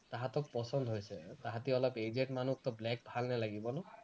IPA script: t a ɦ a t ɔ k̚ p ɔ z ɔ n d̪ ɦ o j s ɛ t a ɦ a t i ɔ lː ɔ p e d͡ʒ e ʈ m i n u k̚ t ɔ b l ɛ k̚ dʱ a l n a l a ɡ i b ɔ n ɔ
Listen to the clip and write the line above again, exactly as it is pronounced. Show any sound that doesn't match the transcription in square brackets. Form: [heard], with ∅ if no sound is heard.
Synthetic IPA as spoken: t a ɦ a t ɔ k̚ p ɔ [s] ɔ n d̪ ɦ o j s ɛ t a ɦ a t i ɔ [l] ɔ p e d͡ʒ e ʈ m [a] n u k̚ t ɔ b l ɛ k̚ [bʱ] a l n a l a ɡ i b ɔ n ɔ